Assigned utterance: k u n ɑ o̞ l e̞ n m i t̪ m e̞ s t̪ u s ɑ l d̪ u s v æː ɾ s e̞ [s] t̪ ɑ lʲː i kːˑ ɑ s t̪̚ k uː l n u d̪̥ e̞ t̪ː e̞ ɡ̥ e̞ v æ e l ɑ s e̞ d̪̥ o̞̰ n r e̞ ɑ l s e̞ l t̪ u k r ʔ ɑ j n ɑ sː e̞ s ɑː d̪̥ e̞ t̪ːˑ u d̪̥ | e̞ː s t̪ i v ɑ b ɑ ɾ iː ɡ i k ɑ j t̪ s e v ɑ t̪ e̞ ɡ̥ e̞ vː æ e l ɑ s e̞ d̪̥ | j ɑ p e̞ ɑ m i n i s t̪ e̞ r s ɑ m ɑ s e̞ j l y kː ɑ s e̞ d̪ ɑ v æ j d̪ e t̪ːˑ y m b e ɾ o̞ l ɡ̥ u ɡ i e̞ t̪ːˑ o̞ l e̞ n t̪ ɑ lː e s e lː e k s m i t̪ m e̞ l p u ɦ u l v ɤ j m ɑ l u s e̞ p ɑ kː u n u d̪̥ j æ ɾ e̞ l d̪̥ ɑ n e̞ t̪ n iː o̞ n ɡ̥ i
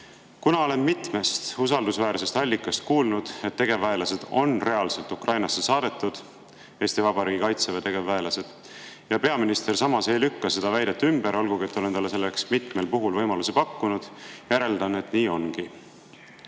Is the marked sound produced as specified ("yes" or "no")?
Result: yes